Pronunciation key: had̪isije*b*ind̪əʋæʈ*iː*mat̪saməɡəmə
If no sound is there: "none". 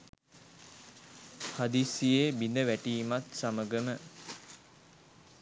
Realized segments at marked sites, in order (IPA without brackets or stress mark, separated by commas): b, iː